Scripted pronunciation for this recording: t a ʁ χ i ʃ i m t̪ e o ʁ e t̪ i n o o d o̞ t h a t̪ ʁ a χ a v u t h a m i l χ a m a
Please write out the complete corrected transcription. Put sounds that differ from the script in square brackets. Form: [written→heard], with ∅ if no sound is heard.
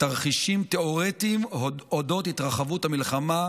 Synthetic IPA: t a ʁ χ i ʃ i m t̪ e o ʁ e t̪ i [n→m] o o d o̞ t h [a→i] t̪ ʁ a χ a v u t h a m i l χ a m a